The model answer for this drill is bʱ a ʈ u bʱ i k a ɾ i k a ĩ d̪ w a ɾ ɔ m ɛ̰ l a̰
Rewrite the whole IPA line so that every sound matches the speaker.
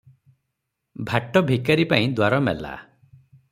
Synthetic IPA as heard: bʱ a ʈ ɔ bʱ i k a ɾ i p a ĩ d̪ w a ɾ ɔ m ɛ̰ l a̰